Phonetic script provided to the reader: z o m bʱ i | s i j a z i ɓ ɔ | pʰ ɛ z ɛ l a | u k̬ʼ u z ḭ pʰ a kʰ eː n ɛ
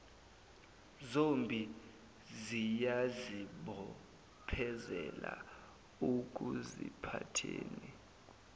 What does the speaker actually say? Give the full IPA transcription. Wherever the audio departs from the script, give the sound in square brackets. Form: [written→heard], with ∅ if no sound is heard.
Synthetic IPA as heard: z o m bʱ i | [s→z] i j a z i ɓ ɔ | pʰ ɛ z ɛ l a | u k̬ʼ u z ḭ pʰ a [kʰ→tʰ] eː n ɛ

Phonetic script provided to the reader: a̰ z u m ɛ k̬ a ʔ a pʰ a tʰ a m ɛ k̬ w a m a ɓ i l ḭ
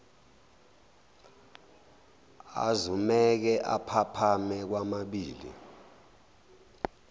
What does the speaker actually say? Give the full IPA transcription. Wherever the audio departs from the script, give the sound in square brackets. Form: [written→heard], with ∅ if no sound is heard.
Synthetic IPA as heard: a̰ z u m ɛ k̬ [a→ɛ] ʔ a pʰ a [tʰ→pʰ] a m ɛ k̬ w a m a ɓ [i→iː] l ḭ

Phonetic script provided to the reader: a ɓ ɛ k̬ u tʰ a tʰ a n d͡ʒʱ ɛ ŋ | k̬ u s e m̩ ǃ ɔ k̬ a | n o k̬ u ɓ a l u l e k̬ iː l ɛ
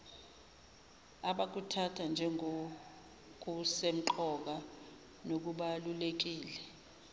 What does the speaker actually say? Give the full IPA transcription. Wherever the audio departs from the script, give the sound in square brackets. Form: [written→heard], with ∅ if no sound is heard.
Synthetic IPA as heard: a ɓ [ɛ→a] k̬ u tʰ a tʰ a n d͡ʒʱ ɛ ŋ | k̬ u s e m̩ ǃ ɔ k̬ a | n o k̬ u ɓ a l u l e k̬ iː l ɛ

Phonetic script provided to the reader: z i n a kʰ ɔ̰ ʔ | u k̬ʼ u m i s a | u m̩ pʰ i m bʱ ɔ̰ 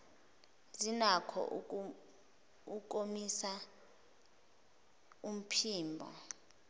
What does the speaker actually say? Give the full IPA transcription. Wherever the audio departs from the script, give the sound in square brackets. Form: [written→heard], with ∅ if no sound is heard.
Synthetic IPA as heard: z i n a kʰ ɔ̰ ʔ | u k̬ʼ [u→o] m i s a | u m̩ pʰ [i→iː] m bʱ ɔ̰

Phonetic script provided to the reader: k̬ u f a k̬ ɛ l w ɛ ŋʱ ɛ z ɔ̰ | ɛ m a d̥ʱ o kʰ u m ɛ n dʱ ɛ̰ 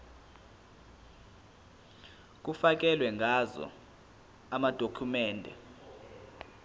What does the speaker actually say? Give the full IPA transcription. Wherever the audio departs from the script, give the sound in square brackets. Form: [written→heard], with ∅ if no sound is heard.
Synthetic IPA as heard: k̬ u f a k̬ ɛ l w ɛ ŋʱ [ɛ→a] z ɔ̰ | [ɛ→a] m a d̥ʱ o kʰ u m [ɛ→ɛː] n dʱ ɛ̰

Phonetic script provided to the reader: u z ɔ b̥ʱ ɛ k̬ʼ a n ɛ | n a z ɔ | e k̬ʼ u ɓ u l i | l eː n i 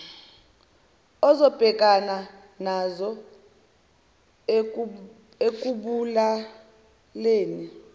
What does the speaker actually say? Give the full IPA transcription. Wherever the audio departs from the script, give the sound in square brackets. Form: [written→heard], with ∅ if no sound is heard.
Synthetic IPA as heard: [u→ɔ] z ɔ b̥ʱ ɛ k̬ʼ a n [ɛ→a] | n a z ɔ | e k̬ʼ u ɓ u l [i→a] | l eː n i

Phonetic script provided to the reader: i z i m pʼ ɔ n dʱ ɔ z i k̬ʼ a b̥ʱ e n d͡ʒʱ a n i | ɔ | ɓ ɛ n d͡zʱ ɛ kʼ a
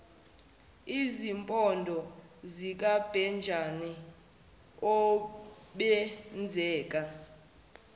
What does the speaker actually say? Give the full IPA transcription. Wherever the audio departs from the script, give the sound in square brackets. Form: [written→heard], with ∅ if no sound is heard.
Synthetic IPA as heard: i z i m pʼ ɔ n dʱ ɔ z i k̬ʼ a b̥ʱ [e→ɛ] n d͡ʒʱ a n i | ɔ | ɓ ɛ n d͡zʱ [ɛ→ɛː] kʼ a

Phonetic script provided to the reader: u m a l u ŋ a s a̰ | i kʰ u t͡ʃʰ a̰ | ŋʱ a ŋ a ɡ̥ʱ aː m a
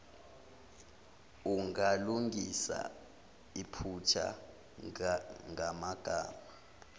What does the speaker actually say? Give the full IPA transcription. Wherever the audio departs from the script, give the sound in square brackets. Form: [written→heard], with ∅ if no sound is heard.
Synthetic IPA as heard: u [m→ŋ] a l u ŋ [a→i] s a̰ | i [kʰ→pʰ] u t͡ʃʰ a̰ | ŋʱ a [ŋ→m] a ɡ̥ʱ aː m a

